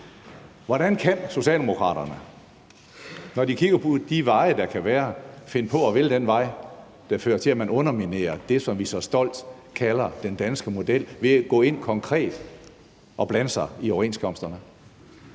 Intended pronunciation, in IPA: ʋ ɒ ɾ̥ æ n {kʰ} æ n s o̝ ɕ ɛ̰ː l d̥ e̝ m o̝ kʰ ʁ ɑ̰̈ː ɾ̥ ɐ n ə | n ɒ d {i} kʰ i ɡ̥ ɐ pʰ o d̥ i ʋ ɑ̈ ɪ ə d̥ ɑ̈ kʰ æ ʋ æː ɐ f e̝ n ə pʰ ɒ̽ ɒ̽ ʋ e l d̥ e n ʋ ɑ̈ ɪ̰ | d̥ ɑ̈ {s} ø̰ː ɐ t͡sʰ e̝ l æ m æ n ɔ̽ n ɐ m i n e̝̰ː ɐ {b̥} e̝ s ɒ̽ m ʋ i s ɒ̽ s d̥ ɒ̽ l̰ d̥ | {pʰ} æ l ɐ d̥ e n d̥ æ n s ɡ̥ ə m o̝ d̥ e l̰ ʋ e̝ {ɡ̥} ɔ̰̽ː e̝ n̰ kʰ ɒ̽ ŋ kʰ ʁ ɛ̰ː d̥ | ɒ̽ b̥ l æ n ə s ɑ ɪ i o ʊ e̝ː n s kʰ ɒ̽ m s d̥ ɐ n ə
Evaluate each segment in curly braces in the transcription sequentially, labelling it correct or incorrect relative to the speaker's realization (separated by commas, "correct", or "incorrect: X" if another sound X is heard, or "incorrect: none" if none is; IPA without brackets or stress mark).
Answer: correct, correct, incorrect: f, incorrect: d̥, incorrect: kʰ, correct